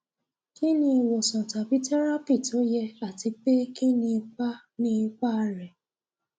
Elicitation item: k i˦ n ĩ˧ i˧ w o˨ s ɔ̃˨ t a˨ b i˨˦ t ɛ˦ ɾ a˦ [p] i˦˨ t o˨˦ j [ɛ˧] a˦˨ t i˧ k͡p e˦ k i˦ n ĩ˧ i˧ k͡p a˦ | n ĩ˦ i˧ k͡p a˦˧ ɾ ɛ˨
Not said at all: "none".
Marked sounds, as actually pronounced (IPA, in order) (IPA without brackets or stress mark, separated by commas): p, ɛ˧